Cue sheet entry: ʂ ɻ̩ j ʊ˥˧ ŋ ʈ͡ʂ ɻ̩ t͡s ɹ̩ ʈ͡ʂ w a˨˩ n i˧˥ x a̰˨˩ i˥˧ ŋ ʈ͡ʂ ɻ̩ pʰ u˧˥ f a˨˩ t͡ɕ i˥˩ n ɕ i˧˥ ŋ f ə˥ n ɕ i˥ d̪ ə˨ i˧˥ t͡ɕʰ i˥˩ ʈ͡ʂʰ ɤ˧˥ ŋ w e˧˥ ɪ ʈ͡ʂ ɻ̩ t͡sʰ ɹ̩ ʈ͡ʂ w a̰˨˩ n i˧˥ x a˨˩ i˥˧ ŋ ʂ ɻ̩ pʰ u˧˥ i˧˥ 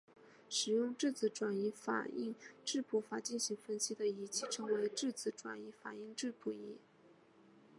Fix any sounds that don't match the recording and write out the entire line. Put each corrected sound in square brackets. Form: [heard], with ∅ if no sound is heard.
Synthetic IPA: ʂ ɻ̩ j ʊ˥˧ ŋ ʈ͡ʂ ɻ̩ t͡s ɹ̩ ʈ͡ʂ w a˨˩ n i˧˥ [f] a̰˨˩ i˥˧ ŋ ʈ͡ʂ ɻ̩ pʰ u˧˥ f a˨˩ t͡ɕ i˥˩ n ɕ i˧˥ ŋ f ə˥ n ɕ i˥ d̪ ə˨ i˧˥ t͡ɕʰ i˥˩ ʈ͡ʂʰ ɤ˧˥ ŋ w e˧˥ ɪ ʈ͡ʂ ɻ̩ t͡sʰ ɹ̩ ʈ͡ʂ w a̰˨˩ n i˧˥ [f] a˨˩ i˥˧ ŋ [ʈ͡ʂ] ɻ̩ pʰ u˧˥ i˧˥